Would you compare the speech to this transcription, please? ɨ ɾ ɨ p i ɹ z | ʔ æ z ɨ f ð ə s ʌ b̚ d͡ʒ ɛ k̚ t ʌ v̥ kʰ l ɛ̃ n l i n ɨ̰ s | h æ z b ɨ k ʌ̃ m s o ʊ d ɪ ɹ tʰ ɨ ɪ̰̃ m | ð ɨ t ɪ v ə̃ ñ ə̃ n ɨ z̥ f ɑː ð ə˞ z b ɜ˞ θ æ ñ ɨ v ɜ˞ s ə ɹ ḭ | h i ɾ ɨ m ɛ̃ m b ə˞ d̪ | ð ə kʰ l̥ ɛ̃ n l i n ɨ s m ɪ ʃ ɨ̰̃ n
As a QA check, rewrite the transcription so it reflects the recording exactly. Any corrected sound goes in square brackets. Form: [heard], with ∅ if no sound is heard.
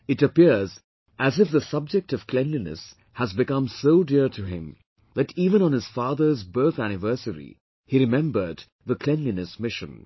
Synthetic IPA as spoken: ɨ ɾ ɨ p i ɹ z | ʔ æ z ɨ f ð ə s ʌ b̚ d͡ʒ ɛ k̚ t ʌ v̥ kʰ l ɛ̃ n l i n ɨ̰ s | h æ z b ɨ k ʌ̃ m s o ʊ d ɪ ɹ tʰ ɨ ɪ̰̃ m | ð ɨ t [i] v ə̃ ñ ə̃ n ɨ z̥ f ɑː ð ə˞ z b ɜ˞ θ æ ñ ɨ v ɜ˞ s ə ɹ ḭ | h i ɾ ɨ m ɛ̃ m b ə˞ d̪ | ð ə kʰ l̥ ɛ̃ n l i n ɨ s m ɪ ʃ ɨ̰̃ n